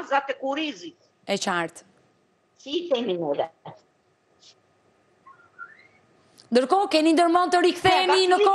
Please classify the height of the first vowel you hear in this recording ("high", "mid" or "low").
low